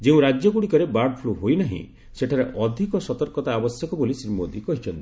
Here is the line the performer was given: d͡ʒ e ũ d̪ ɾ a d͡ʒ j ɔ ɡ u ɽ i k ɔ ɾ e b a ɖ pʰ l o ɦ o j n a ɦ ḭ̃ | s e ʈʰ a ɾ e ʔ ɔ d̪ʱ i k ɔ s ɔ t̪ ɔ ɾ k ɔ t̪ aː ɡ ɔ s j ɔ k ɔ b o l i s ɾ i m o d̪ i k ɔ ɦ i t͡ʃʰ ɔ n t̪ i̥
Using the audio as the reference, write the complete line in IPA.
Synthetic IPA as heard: d͡ʒ e ũ ɾ a d͡ʒ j ɔ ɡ u ɽ i k ɔ ɾ e b a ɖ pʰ l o ɦ o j n a ɦ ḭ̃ | s e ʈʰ a ɾ e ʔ ɔ d̪ʱ i k ɔ s ɔ t̪ ɔ ɾ k ɔ t̪ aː b ɔ s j ɔ k ɔ b o l i s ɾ i m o d̪ i k ɔ ɦ i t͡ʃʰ ɔ n t̪ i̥